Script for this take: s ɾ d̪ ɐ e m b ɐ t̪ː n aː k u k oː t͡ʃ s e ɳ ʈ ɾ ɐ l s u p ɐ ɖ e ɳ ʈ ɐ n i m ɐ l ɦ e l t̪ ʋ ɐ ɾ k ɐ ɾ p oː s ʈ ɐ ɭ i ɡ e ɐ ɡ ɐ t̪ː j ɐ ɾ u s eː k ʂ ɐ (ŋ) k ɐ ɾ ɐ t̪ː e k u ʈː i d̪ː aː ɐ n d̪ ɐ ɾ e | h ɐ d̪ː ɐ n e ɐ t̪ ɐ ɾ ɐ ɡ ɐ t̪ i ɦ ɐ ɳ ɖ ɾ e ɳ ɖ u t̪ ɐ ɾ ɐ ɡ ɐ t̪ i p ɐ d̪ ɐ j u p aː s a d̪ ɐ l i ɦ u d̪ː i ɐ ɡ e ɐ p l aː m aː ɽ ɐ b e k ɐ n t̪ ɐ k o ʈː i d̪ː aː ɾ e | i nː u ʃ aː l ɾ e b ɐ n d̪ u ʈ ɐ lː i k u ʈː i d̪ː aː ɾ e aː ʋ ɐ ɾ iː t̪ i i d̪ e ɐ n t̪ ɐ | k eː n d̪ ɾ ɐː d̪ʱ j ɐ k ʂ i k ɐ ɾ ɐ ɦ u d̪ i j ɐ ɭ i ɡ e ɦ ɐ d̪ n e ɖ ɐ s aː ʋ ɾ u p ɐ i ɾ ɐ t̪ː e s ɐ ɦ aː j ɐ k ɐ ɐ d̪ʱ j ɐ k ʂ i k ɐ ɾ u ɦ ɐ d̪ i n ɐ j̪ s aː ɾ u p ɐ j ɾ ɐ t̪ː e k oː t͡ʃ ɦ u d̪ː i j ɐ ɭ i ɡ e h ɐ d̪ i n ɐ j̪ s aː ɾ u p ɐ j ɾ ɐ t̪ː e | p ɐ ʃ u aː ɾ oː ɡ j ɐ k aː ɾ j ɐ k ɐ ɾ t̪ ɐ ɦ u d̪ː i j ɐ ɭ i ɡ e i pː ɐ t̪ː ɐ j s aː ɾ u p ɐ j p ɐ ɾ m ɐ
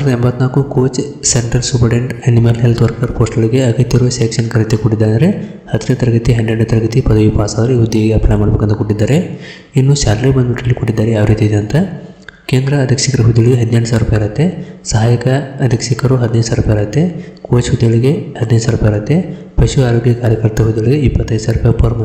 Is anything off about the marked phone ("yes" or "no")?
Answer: yes